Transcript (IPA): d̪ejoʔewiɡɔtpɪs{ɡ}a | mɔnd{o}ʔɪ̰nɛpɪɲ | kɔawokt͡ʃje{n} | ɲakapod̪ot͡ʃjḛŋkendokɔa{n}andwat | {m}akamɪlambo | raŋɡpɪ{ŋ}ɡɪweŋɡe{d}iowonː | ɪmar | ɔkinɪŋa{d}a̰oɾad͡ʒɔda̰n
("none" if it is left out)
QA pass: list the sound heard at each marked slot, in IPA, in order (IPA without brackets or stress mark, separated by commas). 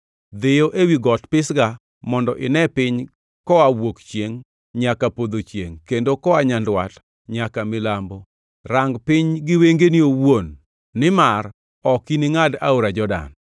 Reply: ɡ, ɔ, ŋ, ɲ, ɲ, ɲ, n, d